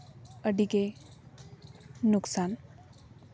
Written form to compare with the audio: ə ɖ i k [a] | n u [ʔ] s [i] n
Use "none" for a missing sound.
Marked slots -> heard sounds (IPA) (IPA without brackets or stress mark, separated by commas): e, k, a